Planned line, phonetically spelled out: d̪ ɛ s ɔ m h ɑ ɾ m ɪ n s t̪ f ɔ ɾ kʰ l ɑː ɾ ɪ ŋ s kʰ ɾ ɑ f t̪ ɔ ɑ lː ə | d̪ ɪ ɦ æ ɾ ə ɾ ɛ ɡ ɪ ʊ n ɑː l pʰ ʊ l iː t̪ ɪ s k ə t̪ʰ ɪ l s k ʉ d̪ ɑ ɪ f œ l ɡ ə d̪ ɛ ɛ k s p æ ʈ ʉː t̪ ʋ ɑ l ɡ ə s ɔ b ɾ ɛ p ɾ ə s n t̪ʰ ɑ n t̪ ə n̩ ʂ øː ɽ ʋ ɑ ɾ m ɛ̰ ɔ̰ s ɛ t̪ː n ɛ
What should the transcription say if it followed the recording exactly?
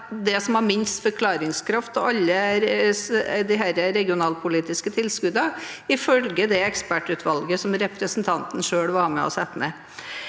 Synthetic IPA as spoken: d̪ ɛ s ɔ m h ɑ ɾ m ɪ n s t̪ f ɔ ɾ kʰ l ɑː ɾ ɪ ŋ s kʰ ɾ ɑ f t̪ ɔ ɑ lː ə | d̪ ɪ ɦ æ ɾ ə ɾ ɛ ɡ ɪ ʊ n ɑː l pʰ ʊ l iː t̪ ɪ s k ə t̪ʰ ɪ l s k ʉ d̪ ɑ ɪ f œ l ɡ ə d̪ ɛ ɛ k s p æ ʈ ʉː t̪ ʋ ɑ l ɡ ə s ɔ m ɾ ɛ p ɾ ə s n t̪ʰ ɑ n t̪ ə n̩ ʂ øː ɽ ʋ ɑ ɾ m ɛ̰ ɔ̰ s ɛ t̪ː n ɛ